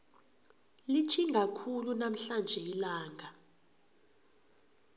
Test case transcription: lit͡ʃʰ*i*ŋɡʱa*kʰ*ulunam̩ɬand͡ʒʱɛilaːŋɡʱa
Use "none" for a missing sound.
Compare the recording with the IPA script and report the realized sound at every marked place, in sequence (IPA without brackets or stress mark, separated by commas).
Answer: i, kʰ